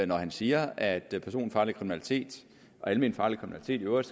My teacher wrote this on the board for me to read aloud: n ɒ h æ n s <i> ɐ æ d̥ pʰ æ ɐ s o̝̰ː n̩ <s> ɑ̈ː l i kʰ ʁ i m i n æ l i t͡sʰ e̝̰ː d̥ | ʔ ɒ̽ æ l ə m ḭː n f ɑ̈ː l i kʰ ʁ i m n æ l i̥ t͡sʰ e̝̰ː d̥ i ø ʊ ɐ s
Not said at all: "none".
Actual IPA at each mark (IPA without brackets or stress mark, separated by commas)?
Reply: iː, f